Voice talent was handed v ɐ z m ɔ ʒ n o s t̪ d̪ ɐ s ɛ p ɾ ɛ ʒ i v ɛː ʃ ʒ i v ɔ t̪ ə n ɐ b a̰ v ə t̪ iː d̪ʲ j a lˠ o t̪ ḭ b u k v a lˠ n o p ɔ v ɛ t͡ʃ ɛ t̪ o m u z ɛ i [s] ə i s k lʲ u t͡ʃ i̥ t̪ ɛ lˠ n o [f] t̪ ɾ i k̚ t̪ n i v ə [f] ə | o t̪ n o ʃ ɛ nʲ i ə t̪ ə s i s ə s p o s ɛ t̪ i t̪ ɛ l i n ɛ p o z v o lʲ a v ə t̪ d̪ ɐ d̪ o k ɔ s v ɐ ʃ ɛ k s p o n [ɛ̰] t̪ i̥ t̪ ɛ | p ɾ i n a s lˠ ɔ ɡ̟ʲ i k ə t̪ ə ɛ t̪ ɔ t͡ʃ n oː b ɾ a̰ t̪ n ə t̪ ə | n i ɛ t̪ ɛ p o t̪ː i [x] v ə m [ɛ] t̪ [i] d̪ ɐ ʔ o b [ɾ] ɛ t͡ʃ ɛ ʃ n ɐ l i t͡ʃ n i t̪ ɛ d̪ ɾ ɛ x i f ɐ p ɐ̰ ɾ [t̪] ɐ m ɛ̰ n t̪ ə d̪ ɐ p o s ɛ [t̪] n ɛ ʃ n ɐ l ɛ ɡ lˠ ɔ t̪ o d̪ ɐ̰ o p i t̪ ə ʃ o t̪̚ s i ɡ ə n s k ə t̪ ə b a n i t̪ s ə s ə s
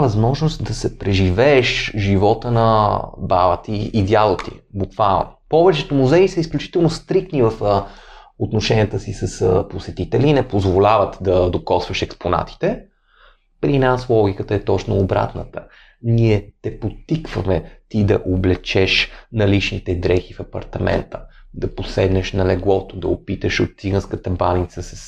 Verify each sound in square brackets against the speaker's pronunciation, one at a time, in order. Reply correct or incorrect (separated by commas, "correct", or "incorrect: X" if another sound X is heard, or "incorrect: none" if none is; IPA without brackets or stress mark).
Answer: correct, incorrect: s, correct, incorrect: a̰, incorrect: k, correct, correct, incorrect: l, correct, incorrect: d̪